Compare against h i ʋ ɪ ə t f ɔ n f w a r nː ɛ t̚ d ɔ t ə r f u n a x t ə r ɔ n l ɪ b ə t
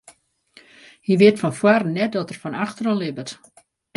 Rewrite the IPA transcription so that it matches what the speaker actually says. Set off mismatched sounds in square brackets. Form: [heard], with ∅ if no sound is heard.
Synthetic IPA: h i ʋ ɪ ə t f ɔ n f w a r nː ɛ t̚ d ɔ t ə r f [ɔ] n a x t ə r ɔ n l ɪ b ə t